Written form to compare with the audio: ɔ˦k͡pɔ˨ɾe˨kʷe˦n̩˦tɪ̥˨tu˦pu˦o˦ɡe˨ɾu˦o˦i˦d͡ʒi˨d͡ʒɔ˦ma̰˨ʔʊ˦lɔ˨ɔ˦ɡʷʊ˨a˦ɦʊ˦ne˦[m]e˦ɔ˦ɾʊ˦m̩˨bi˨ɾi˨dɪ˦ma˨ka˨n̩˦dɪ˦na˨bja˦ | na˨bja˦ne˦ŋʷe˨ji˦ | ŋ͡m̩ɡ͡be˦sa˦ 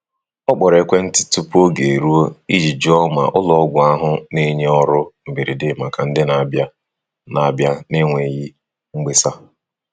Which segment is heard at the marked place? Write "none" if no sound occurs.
ɲ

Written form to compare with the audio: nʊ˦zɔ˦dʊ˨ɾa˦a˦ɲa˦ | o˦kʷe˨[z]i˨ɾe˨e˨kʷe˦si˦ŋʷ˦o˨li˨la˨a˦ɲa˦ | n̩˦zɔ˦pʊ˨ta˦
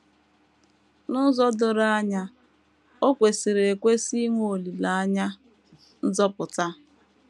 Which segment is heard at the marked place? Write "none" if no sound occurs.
s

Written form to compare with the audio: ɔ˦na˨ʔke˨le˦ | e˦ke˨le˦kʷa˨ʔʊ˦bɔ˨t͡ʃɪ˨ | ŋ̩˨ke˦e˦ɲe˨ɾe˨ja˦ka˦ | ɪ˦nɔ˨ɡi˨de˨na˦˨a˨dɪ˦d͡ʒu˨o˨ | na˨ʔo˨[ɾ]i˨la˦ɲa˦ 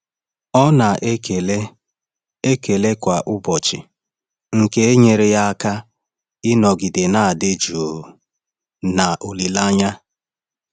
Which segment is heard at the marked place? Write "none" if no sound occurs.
l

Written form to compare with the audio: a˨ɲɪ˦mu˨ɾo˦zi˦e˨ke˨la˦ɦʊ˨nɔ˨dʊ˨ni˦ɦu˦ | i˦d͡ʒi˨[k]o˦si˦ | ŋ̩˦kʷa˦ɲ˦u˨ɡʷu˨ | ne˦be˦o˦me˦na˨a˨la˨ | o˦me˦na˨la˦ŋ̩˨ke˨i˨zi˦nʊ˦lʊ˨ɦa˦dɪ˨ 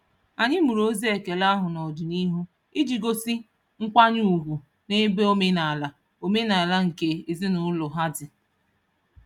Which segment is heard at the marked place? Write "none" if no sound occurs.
ɡ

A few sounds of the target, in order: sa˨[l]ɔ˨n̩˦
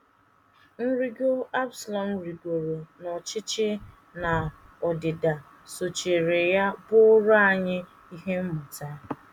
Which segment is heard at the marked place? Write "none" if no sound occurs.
l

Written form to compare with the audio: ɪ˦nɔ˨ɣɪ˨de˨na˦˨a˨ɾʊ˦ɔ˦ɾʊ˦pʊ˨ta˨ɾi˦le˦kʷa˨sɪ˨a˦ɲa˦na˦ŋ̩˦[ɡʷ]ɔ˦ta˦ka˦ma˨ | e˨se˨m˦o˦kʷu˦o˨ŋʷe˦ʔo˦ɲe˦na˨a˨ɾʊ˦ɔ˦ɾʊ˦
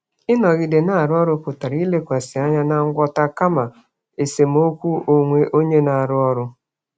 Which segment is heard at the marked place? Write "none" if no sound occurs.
ɡʷ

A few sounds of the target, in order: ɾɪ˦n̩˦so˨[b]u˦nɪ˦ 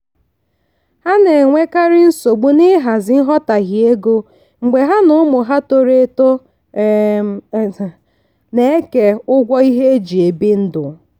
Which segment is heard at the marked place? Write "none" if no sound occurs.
ɡ͡b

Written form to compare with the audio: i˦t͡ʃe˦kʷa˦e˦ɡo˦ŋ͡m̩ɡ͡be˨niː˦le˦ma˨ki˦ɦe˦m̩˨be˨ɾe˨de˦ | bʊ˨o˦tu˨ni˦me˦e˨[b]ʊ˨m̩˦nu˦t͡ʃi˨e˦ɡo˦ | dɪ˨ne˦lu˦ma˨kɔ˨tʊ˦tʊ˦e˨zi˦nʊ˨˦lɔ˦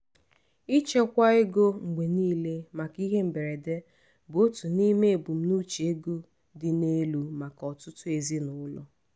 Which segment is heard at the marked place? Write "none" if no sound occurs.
b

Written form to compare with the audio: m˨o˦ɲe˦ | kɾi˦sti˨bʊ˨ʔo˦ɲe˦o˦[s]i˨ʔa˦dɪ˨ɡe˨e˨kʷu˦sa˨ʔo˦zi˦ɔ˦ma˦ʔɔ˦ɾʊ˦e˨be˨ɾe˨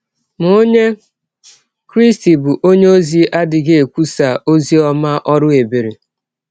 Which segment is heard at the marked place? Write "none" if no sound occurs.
z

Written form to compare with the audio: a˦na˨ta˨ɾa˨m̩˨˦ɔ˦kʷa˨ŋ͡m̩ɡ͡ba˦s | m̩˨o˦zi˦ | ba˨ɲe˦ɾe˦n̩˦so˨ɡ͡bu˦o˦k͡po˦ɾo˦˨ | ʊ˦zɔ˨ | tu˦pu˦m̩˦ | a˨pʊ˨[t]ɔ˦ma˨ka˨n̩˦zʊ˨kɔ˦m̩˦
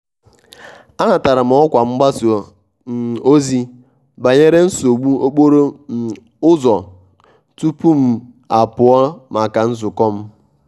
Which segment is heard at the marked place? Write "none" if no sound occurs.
none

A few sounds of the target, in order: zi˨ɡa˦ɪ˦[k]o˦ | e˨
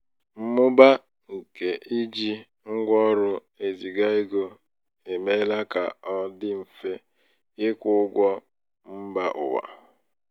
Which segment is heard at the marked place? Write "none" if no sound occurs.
ɡ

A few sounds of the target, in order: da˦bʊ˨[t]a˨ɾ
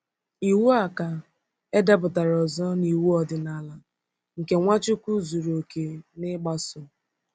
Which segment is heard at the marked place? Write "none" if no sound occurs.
t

